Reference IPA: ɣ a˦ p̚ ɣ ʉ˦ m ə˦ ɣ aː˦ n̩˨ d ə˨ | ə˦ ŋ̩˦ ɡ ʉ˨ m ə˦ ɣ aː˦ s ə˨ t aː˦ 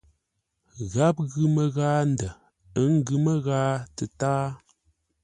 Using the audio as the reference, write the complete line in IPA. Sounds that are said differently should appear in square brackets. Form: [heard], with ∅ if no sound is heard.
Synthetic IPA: ɣ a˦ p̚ ɣ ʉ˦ m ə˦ ɣ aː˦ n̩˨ d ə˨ | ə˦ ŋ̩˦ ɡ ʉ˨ m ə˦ ɣ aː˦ [t] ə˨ t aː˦